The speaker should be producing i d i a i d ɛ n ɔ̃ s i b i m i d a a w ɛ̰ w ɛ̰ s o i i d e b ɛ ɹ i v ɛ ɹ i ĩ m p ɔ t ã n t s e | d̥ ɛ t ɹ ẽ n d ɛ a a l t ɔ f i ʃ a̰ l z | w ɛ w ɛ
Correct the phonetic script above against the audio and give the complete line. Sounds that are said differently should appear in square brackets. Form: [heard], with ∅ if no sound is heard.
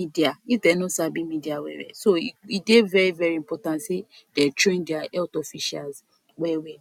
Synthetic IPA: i d i a i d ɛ n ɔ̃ s [a] b i m i d [i] a w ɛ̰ w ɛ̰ s o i i d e [v] ɛ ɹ i v ɛ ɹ i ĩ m p ɔ t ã n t s e | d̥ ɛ t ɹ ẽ n d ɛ a [ɛ] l t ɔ f i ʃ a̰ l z | w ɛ w ɛ